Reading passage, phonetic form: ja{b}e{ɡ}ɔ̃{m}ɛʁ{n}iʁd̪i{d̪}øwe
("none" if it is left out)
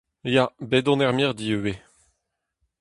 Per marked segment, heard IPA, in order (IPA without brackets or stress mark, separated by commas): b, d, n, m, none